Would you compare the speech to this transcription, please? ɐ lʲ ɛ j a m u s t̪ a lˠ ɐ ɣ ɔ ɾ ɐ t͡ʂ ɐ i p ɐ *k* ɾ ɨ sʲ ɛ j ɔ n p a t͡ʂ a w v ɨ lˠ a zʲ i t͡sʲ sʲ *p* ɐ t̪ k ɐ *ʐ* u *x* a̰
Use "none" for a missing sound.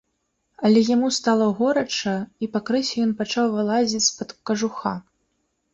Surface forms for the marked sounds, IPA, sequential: k, p, ʐ, x

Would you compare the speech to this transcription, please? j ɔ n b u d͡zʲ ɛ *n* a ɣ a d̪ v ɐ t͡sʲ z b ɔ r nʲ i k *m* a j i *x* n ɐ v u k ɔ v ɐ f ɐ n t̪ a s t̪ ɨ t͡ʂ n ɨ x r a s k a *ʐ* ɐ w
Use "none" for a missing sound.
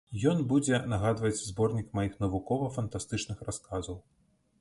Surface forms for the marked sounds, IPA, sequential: n, m, x, z

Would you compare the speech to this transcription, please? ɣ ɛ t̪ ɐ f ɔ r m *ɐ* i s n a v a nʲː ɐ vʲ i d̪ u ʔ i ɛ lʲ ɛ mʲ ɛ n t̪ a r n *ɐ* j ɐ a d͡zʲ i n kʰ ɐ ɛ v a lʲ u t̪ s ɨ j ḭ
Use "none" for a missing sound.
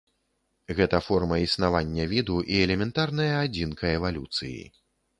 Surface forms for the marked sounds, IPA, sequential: ɐ, ɐ

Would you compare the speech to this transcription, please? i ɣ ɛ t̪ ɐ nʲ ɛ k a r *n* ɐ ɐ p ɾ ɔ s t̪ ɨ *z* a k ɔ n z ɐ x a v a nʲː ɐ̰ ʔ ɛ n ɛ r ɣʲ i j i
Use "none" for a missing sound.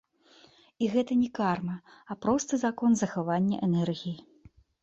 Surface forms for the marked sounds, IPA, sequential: m, z

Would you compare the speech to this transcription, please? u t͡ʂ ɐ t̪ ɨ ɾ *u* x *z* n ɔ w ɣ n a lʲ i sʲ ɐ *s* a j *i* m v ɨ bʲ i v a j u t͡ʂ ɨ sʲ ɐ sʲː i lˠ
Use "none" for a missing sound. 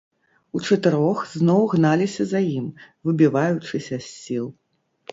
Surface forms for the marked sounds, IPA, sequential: ɔ, z, z, i

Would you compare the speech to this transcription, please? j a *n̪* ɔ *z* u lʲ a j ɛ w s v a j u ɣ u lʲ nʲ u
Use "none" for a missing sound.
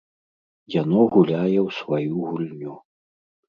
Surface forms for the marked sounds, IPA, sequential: n̪, ɣ

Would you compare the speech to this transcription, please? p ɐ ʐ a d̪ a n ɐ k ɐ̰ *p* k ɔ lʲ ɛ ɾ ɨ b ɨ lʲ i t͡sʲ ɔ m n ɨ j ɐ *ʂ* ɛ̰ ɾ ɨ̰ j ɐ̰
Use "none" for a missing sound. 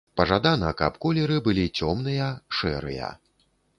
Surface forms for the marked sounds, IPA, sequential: p, ʂ

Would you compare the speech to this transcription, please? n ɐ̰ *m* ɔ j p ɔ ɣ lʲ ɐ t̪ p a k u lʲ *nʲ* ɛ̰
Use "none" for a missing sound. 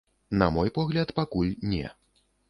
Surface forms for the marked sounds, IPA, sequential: m, nʲ

